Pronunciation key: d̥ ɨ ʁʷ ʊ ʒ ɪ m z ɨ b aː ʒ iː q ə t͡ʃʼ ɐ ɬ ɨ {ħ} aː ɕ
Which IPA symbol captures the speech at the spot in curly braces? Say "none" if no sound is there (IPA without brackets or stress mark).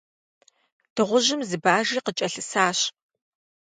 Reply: s